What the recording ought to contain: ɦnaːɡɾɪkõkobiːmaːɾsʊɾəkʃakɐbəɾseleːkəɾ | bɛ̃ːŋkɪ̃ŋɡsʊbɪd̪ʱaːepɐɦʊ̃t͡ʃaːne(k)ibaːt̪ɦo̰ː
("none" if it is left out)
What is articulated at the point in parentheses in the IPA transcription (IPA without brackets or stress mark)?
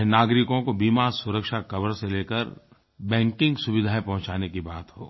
k